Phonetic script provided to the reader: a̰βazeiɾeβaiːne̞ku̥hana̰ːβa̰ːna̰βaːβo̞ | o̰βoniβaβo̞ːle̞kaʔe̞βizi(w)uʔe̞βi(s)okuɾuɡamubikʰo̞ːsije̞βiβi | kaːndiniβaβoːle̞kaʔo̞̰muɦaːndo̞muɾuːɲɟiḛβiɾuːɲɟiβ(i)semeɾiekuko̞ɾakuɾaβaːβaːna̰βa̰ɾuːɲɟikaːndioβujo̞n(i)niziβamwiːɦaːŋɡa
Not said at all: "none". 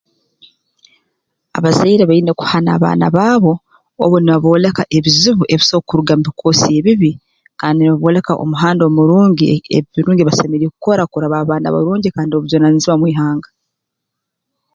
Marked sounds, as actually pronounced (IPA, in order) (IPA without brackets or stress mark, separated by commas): β, s, a, a